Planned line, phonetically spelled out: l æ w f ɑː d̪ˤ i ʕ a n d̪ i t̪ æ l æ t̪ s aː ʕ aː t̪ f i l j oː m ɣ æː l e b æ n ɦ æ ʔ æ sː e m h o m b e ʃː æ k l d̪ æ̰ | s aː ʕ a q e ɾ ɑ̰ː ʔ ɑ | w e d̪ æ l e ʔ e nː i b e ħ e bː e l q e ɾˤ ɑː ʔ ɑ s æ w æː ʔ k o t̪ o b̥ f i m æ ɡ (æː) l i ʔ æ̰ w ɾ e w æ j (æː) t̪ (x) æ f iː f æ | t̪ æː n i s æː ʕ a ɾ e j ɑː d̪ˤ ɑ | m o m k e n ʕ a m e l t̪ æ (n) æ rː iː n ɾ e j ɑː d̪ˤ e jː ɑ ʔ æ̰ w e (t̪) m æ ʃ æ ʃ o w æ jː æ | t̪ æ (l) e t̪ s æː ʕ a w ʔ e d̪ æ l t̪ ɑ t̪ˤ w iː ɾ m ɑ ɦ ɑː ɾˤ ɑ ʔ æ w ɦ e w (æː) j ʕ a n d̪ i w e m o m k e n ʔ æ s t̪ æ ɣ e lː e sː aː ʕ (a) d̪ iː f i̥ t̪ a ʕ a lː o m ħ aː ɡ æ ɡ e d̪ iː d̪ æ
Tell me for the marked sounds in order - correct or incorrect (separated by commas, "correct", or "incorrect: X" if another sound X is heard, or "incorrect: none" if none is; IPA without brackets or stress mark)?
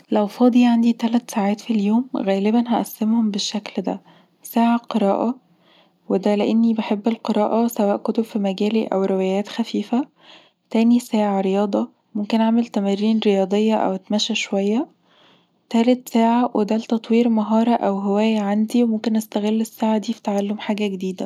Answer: correct, correct, correct, incorrect: m, correct, correct, correct, correct